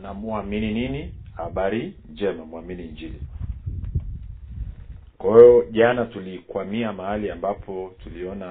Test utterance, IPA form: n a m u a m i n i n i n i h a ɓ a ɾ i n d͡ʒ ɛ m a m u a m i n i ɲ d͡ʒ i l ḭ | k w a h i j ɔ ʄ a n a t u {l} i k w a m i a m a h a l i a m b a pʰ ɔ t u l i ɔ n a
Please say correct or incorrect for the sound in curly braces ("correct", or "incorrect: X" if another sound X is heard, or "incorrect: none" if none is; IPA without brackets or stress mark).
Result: correct